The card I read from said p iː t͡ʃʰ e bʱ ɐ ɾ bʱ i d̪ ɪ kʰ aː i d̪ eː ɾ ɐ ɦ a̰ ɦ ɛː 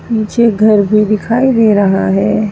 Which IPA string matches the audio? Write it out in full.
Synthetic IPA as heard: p iː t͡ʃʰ e ɡʱ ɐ ɾ bʱ i d̪ ɪ kʰ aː i d̪ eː ɾ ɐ ɦ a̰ ɦ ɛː